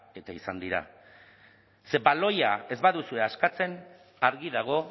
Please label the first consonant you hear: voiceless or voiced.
voiceless